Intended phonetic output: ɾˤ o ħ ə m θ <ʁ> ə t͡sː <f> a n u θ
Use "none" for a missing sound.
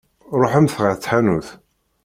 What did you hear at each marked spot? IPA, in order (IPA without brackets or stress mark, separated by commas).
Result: ʁ, ħ